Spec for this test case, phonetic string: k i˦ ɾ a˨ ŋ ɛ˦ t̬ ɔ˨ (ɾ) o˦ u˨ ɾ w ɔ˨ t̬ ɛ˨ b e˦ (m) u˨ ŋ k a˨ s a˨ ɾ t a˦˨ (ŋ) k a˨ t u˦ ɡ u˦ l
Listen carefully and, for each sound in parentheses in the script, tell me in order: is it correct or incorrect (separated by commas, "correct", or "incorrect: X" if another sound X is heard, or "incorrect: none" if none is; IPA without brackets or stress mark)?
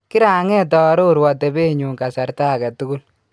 correct, incorrect: ɲ, incorrect: none